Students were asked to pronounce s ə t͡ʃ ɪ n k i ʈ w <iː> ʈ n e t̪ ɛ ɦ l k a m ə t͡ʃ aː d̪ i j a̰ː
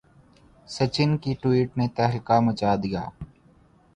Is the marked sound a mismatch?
no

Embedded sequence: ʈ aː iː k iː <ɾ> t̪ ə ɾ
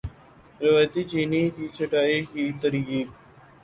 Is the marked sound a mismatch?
yes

